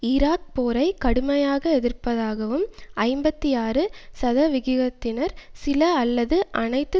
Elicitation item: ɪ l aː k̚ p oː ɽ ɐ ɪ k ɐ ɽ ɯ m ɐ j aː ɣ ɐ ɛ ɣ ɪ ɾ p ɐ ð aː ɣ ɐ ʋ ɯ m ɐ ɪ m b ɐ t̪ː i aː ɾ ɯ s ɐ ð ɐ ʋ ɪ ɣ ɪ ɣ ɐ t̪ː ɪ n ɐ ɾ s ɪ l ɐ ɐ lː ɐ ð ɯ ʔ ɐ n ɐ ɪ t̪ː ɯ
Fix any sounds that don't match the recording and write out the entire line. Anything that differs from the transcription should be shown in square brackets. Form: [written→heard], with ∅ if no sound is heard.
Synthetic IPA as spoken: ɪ [l→ɾ] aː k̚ p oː [ɽ→ɾ] ɐ ɪ k ɐ ɽ ɯ m ɐ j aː ɣ ɐ ɛ [ɣ→ð] ɪ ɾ p ɐ ð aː ɣ ɐ ʋ ɯ m ɐ ɪ m b ɐ t̪ː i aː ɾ ɯ s ɐ ð ɐ ʋ ɪ ɣ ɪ ɣ ɐ t̪ː ɪ n ɐ ɾ s ɪ l ɐ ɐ lː ɐ ð ɯ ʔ ɐ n ɐ ɪ t̪ː ɯ